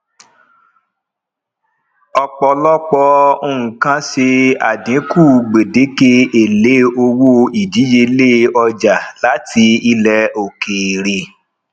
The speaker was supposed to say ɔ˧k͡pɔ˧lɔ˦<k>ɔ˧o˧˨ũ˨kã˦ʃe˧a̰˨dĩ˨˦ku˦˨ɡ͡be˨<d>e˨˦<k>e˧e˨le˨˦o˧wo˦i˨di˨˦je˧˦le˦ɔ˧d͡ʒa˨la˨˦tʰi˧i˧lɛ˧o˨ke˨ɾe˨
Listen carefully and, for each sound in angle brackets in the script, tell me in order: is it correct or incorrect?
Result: incorrect: k͡p, correct, correct

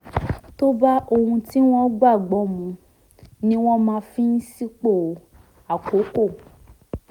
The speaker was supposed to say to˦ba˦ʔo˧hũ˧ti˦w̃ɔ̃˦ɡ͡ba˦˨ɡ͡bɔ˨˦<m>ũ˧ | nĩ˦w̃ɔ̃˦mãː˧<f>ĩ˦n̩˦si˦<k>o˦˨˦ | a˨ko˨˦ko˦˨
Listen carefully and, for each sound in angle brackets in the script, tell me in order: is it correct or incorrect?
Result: correct, correct, incorrect: k͡p

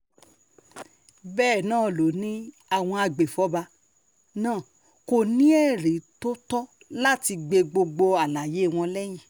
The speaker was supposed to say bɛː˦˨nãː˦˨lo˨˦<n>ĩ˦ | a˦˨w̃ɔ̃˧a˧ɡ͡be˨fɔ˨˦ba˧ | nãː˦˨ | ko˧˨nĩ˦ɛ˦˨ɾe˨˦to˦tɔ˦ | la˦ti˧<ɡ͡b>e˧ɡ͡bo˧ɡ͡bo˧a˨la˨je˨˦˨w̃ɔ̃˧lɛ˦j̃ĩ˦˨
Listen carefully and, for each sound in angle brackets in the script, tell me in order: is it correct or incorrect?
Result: correct, correct

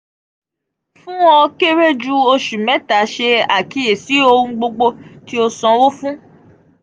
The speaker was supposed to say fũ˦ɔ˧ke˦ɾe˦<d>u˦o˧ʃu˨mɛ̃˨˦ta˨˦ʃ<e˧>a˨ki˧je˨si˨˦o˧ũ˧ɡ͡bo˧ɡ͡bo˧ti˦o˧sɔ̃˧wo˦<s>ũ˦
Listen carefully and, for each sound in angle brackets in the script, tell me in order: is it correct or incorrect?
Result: incorrect: d͡ʒ, correct, incorrect: f

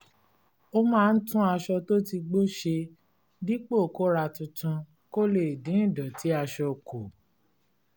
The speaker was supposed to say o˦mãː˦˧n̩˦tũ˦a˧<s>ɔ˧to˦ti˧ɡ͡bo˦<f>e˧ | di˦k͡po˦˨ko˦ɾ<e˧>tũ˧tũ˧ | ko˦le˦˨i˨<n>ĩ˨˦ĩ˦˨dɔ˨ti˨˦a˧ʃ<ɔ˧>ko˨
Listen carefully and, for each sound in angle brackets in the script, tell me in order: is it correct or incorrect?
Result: incorrect: ʃ, incorrect: ʃ, incorrect: a˧, incorrect: d, correct

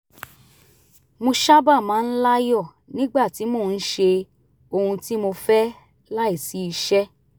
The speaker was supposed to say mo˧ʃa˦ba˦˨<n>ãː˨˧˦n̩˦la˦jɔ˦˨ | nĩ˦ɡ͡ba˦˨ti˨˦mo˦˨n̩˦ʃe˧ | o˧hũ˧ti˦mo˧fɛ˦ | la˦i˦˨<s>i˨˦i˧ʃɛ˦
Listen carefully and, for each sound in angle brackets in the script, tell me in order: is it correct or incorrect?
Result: incorrect: m, correct

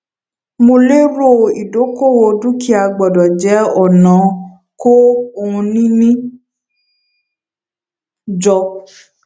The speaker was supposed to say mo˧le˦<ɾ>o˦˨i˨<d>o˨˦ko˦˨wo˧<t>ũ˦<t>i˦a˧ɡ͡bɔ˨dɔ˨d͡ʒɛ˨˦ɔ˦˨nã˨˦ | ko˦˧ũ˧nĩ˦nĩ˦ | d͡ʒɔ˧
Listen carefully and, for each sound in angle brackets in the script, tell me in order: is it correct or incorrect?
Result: correct, correct, incorrect: d, incorrect: k

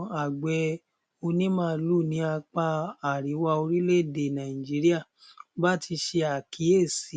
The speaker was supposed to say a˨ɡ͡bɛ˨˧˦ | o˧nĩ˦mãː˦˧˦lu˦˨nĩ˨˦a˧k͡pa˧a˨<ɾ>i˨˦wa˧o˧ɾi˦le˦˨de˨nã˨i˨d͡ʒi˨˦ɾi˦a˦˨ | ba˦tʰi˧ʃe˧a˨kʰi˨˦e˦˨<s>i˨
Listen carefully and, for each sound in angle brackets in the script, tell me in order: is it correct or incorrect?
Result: correct, correct

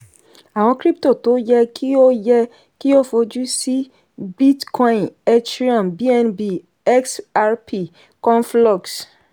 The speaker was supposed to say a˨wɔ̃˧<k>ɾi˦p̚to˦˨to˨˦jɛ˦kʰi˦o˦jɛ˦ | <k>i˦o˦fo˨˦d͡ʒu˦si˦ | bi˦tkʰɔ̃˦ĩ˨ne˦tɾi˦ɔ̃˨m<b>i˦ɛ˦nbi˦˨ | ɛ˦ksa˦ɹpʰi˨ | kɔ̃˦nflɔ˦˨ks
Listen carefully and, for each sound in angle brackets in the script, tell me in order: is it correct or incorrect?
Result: correct, correct, correct

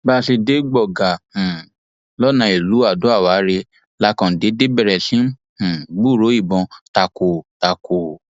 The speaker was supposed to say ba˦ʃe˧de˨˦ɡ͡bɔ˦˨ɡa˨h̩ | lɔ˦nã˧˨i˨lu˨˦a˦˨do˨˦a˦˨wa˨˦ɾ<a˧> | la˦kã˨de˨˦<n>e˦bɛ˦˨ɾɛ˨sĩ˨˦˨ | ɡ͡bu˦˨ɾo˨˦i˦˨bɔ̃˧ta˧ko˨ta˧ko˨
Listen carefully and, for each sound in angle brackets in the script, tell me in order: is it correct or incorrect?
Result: incorrect: e˧, incorrect: d

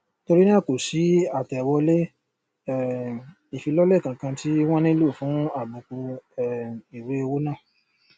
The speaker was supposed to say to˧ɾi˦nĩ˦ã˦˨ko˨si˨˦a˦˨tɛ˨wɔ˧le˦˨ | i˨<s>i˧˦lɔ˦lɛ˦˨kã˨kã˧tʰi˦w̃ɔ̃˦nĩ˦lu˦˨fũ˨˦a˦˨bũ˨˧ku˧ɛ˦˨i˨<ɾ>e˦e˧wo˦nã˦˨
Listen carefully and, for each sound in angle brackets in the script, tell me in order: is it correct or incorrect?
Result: incorrect: f, correct

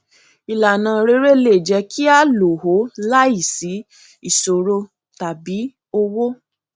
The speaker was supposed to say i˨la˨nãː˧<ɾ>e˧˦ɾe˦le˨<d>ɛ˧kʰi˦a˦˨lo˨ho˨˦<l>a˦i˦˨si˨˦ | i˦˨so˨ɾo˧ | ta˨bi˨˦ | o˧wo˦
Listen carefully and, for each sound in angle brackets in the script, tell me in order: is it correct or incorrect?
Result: correct, incorrect: d͡ʒ, correct

